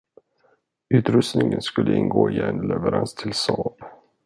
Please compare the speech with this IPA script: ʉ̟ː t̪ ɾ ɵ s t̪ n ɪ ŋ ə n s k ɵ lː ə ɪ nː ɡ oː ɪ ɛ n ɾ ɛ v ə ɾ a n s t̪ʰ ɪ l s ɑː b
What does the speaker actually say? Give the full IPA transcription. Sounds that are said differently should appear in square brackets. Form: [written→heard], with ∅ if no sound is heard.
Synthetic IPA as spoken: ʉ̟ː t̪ ɾ ɵ s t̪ n ɪ ŋ ə n s k ɵ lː ə ɪ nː ɡ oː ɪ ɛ n [ɾ→l] ɛ v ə ɾ a n s t̪ʰ ɪ l s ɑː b